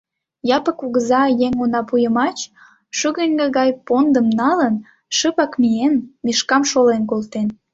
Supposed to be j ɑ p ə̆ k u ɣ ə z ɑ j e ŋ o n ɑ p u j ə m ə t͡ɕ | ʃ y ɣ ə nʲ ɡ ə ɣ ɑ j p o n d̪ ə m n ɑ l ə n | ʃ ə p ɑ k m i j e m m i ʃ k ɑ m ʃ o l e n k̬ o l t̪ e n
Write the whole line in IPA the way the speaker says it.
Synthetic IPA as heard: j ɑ p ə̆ k u ɣ ə z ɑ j e ŋ o n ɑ p u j ə m ɑ t͡ɕ | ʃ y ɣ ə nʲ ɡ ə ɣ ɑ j p o n d̪ ə m n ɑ l ə n | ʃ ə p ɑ k m i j e n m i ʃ k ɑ m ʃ o l e n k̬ o l t̪ e n